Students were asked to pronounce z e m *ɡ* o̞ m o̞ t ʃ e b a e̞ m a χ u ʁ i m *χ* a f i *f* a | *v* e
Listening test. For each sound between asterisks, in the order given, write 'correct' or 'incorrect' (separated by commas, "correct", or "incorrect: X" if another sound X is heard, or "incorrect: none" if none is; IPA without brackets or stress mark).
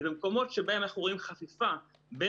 incorrect: k, correct, correct, incorrect: b